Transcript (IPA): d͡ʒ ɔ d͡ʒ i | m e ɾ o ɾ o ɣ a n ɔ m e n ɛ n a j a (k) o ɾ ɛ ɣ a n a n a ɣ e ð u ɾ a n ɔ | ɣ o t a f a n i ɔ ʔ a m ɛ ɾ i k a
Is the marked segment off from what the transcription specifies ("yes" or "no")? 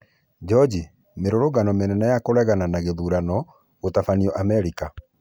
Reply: no